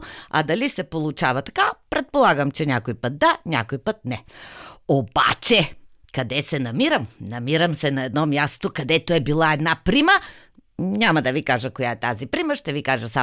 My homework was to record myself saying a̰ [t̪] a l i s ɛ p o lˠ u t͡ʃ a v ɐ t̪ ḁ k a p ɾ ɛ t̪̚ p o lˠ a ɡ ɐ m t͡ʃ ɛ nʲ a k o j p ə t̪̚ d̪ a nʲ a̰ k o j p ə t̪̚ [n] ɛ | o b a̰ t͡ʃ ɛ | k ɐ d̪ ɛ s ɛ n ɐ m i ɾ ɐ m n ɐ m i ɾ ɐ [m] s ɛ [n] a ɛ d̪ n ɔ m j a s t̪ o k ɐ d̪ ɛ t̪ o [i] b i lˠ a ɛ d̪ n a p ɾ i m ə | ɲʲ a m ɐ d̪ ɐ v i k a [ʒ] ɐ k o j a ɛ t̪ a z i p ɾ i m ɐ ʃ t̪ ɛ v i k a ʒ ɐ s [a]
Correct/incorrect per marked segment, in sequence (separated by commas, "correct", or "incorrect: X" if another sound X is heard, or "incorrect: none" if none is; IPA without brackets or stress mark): incorrect: d̪, correct, correct, correct, incorrect: ɛ, correct, correct